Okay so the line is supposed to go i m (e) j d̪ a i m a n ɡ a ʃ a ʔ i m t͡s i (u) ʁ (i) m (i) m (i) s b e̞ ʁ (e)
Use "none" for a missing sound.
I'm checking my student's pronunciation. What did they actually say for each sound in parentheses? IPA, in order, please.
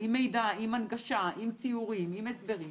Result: e, u, i, i, e, i

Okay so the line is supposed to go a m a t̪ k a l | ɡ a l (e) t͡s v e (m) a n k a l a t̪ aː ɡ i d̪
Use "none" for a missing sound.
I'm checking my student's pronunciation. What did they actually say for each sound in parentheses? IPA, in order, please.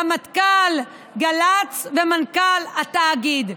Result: a, m

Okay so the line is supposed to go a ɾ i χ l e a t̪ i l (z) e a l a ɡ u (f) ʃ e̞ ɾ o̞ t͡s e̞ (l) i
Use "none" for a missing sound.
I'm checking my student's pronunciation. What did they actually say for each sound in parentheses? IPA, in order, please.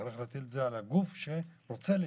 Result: z, f, l

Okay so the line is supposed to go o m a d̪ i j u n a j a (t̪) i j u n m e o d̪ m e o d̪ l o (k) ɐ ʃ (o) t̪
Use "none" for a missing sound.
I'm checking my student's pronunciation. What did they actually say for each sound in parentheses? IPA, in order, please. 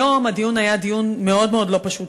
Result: d̪, p, u

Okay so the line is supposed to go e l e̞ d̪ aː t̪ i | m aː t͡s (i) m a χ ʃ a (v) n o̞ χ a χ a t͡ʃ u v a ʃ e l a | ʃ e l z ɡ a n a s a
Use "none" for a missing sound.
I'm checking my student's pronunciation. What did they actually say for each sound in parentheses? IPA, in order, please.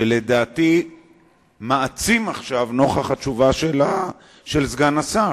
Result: i, v

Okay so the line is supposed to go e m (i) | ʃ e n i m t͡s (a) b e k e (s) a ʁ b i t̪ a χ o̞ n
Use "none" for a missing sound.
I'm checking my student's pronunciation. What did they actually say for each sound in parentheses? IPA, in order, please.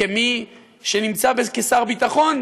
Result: i, a, s

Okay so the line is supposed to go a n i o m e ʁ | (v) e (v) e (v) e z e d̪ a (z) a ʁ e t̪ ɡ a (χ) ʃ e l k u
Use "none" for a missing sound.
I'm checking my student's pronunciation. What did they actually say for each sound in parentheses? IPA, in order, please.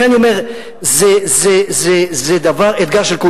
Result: z, z, z, v, ʁ

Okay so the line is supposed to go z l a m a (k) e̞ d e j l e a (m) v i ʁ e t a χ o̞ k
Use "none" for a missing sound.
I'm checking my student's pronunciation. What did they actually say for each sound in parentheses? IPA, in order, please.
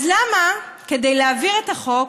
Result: k, none

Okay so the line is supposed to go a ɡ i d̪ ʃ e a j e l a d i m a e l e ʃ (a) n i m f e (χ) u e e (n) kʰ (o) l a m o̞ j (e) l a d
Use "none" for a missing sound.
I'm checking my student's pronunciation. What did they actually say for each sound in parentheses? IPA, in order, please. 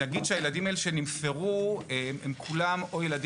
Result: e, ʁ, m, u, e

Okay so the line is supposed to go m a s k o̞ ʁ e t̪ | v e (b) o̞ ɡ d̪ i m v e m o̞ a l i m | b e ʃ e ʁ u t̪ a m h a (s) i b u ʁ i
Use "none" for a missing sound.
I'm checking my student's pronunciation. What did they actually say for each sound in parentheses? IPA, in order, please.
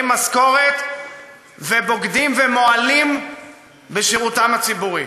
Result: b, t͡s

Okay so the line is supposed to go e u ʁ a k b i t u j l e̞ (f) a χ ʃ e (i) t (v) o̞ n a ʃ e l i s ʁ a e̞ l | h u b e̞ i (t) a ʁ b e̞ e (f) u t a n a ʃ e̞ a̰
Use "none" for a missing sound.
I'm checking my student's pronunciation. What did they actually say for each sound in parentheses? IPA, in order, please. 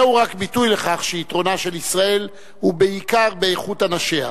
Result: χ, i, ʁ, k, χ

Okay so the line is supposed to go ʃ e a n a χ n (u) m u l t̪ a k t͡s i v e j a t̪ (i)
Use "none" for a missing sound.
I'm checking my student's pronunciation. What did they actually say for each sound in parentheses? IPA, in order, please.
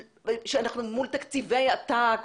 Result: u, a

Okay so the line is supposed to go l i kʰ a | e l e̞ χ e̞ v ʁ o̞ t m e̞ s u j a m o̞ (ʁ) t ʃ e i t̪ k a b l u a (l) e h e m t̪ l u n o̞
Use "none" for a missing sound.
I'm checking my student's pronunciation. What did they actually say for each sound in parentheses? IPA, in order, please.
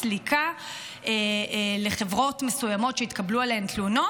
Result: none, l

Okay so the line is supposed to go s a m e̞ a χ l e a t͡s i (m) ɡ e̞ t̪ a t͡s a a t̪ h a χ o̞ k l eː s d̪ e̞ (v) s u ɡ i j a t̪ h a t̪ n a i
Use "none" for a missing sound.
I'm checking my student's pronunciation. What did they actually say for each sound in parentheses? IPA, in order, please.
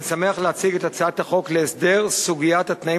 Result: none, ʁ

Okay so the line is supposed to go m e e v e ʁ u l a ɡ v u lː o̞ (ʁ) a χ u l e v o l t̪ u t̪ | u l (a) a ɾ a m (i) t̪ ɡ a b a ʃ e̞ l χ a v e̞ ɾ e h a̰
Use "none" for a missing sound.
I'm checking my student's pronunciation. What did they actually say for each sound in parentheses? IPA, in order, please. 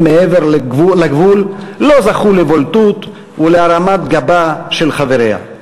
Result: z, e, a

